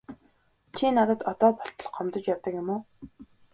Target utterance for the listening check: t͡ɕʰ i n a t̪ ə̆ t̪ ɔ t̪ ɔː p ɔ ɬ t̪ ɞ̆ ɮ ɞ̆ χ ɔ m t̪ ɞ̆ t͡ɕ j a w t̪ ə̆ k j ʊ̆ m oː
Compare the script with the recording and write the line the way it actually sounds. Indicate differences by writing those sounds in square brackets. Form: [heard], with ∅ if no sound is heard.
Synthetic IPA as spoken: t͡ɕʰ i n a t̪ ə̆ t̪ ɔ t̪ ɔː p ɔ ɬ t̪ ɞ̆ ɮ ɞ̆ χ ɔ m t̪ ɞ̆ t͡ɕ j a w t̪ ə̆ k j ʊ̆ m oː